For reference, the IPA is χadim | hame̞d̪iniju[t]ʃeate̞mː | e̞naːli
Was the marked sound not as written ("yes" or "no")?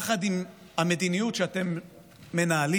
no